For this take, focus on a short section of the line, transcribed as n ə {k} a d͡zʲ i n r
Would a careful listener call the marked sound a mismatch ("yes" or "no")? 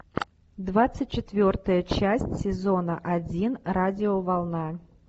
yes